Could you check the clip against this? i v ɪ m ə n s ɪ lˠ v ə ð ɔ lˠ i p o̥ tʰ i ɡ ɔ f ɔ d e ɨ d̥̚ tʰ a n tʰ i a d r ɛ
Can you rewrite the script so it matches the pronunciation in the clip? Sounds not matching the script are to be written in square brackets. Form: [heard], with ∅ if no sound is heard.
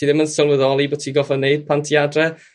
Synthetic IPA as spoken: i [ð] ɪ m ə n s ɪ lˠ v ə ð ɔ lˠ i [b] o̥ tʰ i ɡ ɔ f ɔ [n] e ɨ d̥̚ [pʰ] a n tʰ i a d r ɛ